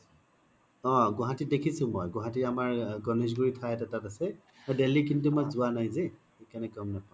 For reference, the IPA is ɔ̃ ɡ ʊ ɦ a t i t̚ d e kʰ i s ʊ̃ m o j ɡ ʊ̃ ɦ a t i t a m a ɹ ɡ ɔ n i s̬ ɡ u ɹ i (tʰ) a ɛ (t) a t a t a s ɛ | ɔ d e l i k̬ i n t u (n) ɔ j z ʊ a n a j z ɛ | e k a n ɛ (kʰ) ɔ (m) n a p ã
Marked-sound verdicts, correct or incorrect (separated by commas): correct, correct, incorrect, incorrect, correct